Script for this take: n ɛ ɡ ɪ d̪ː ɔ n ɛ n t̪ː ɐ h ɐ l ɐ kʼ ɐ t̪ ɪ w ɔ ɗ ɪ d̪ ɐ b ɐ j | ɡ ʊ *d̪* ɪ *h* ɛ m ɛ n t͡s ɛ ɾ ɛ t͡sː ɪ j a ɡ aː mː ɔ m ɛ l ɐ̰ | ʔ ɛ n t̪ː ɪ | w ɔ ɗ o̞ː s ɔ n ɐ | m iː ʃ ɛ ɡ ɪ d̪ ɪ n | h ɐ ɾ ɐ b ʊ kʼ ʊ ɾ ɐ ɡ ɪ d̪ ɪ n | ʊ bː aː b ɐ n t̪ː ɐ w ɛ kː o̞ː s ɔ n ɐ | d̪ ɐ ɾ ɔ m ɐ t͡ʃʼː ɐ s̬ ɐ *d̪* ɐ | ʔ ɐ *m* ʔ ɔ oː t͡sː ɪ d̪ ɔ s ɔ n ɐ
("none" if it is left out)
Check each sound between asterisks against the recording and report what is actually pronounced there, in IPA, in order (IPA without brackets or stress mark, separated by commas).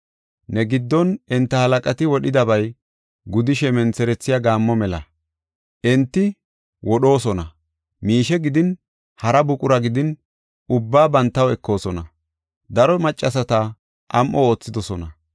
d̪, ʃ, t̪, m